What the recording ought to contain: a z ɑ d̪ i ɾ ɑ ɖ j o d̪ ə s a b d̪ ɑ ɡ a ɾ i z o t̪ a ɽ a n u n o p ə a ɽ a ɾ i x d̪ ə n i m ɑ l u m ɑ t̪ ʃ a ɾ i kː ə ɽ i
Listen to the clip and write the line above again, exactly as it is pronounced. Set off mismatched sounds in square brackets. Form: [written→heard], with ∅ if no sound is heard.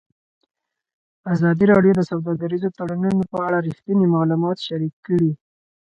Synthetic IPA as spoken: a z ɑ d̪ i ɾ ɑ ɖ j o d̪ ə s a [b→w] d̪ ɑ ɡ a ɾ i z o t̪ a ɽ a n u n o p ə a ɽ a ɾ i x [d̪→t̪] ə n i m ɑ l u m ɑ t̪ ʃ a ɾ i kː ə ɽ i